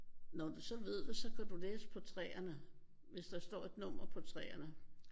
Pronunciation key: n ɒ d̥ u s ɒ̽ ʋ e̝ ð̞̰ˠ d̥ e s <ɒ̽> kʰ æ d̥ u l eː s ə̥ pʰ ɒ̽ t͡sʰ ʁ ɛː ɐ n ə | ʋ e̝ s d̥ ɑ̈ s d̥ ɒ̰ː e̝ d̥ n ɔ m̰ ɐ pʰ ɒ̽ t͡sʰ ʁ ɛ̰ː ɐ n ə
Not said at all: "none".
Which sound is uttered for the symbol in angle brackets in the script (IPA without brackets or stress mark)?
ɒ̽